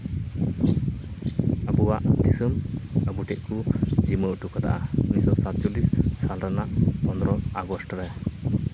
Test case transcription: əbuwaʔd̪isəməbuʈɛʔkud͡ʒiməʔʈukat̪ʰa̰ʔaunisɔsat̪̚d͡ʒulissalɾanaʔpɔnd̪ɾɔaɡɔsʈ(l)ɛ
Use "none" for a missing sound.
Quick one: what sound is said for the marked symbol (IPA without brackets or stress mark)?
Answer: ɾ